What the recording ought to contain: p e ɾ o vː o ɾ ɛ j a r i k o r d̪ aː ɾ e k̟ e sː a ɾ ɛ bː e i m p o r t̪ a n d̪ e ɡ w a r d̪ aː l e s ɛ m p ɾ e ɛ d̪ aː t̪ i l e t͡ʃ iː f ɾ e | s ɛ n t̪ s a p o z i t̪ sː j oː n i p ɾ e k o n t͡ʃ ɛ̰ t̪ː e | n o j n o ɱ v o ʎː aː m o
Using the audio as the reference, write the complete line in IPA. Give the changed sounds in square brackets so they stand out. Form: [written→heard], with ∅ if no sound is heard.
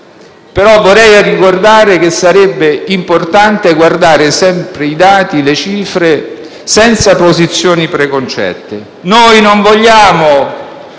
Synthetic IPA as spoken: p e ɾ [o→ɔ] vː o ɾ ɛ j a r i k o r d̪ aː ɾ e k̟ e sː a ɾ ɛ bː e i m p o r t̪ a n [d̪→t̪] e ɡ w a r d̪ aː [l→ɾ] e s ɛ m p ɾ e [ɛ→i] d̪ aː t̪ i l e t͡ʃ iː f ɾ e | s ɛ n t̪ s a p o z i t̪ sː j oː n i p ɾ e k o n t͡ʃ ɛ̰ t̪ː e | n o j n o ɱ v o ʎː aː m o